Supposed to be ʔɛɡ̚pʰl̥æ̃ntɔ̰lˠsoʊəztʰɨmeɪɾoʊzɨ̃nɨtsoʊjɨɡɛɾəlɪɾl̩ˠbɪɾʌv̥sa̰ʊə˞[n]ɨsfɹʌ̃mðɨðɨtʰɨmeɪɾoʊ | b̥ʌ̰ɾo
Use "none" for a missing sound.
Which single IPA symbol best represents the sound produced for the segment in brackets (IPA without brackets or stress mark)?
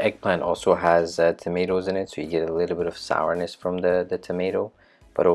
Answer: n